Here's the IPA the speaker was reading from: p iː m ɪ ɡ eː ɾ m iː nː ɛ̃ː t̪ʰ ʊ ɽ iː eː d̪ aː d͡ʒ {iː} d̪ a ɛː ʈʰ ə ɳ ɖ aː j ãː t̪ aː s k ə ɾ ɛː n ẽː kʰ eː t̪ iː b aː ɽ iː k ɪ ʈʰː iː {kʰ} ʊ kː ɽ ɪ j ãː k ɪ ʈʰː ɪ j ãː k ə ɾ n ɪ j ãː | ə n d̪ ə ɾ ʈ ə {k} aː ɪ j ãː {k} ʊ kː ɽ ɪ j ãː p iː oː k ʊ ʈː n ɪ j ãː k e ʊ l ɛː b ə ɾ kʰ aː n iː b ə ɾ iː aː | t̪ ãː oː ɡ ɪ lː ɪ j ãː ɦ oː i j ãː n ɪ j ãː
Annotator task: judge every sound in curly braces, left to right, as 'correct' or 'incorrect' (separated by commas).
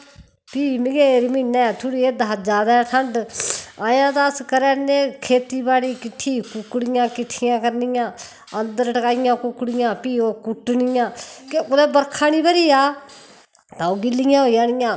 incorrect, incorrect, correct, correct